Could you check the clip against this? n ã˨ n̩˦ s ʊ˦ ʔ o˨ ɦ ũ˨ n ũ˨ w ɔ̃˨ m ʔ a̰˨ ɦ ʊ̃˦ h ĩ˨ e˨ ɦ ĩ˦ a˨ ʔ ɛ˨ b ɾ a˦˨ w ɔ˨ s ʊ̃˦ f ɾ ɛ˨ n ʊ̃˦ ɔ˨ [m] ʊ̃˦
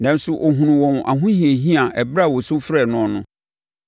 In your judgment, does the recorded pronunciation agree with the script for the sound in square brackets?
no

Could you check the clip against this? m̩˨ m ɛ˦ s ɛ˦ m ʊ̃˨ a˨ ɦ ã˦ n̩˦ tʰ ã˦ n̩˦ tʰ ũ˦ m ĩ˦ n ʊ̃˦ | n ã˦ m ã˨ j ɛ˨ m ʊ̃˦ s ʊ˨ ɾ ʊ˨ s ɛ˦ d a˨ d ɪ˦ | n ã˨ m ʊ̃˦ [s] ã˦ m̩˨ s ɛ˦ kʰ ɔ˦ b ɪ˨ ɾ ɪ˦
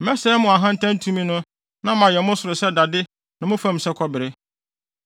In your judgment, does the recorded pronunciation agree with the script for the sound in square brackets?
no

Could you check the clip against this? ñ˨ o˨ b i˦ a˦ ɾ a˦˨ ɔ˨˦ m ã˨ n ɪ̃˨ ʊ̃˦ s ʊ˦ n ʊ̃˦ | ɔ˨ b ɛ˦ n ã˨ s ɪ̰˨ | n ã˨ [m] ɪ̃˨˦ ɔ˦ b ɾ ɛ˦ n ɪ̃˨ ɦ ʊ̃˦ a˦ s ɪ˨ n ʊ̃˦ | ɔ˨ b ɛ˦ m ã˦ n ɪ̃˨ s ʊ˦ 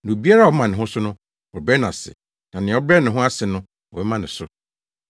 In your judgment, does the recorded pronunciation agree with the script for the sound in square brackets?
no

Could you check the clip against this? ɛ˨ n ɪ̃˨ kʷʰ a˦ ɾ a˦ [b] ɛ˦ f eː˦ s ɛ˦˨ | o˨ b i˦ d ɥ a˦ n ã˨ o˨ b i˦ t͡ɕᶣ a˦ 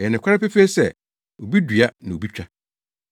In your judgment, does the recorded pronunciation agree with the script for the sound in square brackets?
no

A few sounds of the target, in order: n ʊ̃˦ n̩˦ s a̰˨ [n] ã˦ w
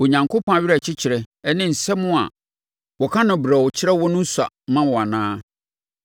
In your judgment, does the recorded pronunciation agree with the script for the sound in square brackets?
no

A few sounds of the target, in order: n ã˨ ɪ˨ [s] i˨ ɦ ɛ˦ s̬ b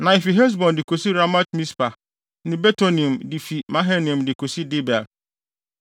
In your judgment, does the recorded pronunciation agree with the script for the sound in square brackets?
no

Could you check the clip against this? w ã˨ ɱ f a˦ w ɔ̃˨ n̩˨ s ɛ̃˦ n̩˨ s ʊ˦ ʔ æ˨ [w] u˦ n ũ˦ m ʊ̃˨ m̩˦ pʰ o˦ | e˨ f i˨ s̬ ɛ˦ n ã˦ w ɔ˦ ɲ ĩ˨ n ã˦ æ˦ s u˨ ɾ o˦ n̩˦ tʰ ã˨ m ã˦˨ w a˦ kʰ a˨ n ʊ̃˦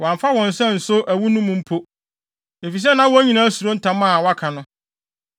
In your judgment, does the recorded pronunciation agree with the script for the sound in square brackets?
yes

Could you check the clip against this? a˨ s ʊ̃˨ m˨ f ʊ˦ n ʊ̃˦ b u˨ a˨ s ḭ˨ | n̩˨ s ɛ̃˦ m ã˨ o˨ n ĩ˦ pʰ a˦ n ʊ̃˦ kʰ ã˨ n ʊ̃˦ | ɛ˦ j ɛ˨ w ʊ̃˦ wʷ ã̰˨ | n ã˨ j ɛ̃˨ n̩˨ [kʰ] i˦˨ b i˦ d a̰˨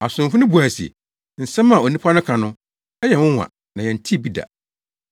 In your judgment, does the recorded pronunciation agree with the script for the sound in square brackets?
no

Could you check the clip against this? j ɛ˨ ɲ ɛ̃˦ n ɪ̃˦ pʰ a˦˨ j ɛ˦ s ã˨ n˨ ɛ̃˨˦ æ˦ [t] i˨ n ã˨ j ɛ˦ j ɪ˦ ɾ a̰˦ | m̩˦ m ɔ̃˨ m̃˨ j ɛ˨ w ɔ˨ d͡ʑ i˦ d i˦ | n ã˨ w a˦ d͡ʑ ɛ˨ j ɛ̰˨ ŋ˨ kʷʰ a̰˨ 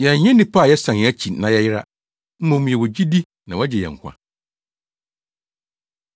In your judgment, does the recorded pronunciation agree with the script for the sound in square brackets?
no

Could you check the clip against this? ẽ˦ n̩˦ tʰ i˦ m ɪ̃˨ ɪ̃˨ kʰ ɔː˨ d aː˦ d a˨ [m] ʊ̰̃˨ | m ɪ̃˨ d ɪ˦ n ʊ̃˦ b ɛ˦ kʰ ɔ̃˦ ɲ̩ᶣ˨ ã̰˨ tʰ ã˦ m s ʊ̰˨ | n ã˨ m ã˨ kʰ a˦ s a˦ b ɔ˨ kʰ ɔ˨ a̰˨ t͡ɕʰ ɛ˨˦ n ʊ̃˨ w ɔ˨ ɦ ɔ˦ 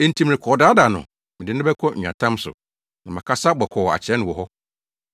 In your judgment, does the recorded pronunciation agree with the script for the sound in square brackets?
no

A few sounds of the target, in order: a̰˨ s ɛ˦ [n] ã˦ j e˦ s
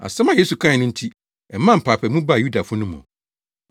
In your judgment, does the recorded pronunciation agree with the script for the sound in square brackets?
no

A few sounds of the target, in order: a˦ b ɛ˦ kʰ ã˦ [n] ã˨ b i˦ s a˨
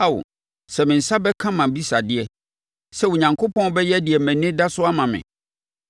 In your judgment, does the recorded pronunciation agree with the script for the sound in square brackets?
no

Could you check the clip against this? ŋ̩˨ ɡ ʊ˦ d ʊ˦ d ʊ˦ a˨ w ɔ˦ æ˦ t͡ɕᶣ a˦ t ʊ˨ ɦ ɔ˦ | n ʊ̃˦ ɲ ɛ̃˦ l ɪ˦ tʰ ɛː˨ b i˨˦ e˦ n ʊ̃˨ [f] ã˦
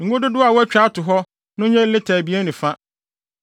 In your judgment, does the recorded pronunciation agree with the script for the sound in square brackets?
yes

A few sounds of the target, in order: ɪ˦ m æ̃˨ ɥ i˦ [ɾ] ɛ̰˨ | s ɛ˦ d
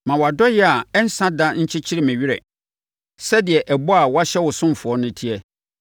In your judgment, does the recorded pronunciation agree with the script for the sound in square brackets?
yes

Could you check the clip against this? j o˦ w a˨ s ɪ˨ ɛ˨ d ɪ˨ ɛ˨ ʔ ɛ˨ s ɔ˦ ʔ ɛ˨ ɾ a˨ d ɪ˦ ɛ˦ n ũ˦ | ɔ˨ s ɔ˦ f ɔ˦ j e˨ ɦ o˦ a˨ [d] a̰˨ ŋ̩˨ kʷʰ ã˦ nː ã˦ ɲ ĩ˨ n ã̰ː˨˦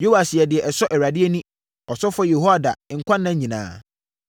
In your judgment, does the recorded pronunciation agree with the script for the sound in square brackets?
yes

